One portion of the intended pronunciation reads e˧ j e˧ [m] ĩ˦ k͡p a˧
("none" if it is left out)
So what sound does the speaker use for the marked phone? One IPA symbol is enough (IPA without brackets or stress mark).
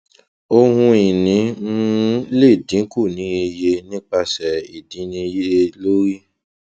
n